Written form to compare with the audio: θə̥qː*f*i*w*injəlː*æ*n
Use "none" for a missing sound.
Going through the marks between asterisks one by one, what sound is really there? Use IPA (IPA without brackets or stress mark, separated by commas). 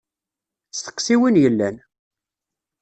s, w, æ